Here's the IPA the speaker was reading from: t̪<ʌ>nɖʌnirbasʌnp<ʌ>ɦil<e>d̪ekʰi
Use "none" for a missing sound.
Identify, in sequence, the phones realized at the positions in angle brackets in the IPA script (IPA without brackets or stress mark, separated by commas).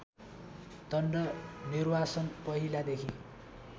ʌ, ʌ, a